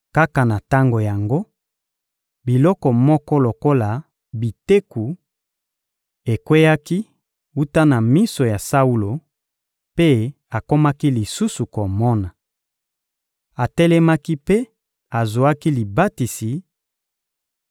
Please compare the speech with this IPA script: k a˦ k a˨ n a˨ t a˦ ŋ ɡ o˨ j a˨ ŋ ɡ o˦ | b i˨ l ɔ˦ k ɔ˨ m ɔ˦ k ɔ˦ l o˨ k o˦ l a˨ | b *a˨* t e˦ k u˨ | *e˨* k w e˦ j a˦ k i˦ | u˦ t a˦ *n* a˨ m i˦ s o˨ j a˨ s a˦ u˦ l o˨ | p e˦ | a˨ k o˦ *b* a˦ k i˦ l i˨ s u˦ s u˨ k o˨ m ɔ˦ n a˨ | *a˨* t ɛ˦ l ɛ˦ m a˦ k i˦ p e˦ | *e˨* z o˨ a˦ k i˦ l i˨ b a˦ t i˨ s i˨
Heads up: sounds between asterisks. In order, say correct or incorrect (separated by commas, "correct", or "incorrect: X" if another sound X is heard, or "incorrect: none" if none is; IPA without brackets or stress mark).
incorrect: i˨, correct, correct, incorrect: m, correct, incorrect: a˨